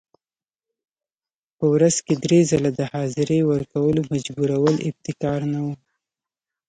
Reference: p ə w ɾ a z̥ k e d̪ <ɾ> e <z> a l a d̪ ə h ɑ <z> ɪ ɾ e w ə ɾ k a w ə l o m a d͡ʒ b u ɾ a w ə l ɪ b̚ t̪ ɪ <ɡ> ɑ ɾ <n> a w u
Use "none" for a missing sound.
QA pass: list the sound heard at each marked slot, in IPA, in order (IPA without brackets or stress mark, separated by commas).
ɾ, z, z, k, n